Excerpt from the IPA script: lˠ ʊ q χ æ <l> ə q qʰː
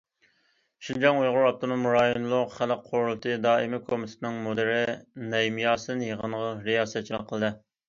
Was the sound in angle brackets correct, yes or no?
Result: yes